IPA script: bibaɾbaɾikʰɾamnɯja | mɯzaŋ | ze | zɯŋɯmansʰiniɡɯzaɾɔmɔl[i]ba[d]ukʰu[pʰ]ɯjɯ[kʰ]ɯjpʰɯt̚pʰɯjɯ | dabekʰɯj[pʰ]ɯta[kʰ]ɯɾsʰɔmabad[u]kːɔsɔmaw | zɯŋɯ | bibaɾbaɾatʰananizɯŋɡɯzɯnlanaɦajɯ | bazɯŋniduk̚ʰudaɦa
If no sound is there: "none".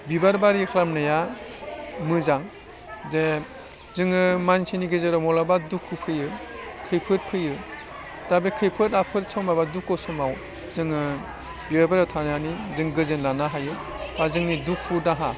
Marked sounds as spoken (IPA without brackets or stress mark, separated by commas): a, d, pʰ, kʰ, pʰ, pʰ, u